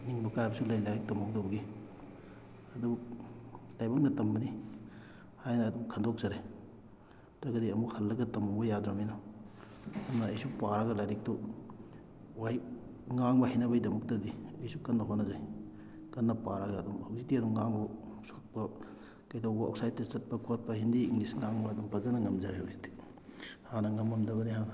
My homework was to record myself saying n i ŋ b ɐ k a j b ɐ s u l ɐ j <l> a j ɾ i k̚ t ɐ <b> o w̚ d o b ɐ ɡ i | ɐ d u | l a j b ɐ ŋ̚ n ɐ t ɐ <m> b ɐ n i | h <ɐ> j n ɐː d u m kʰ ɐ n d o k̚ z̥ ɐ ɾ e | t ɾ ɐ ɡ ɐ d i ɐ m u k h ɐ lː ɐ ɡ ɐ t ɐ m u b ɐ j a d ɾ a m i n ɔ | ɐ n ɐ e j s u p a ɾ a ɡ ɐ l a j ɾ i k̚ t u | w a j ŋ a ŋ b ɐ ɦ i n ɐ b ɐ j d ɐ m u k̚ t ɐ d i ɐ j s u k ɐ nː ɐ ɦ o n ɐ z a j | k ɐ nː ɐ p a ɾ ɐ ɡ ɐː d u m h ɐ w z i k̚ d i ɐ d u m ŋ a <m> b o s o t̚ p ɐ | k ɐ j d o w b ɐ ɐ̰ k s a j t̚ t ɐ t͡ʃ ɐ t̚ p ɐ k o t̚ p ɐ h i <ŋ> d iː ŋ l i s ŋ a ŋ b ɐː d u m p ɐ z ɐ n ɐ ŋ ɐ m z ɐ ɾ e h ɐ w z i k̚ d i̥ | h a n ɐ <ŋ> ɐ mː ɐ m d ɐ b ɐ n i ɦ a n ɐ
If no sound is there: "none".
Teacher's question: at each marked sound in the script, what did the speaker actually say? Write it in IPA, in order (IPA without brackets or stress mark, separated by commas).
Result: l, m, m, a, ŋ, n, ŋ